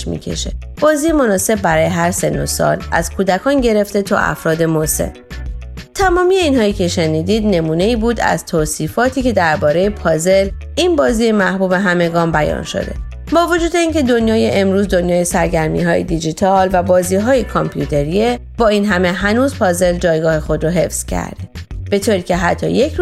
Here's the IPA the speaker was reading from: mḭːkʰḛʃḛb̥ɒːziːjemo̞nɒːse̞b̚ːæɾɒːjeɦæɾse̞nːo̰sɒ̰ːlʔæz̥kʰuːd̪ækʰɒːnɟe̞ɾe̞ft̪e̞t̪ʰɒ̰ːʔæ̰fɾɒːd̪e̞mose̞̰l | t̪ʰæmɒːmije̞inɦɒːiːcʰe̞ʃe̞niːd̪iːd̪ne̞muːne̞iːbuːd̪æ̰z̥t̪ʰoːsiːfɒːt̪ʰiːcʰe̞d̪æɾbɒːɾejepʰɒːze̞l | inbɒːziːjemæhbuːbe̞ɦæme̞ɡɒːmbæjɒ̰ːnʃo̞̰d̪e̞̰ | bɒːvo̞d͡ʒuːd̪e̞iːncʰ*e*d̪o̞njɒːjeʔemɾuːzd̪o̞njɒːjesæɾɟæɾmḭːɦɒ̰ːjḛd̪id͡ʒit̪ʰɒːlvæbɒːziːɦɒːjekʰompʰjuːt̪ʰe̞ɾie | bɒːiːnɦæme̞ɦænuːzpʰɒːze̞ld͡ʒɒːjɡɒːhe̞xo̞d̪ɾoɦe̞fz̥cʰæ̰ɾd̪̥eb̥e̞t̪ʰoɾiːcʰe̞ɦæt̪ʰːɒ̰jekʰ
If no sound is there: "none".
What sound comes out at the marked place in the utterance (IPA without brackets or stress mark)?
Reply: e